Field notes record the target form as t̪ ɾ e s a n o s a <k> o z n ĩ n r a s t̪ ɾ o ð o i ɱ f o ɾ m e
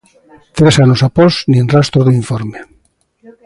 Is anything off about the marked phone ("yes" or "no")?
yes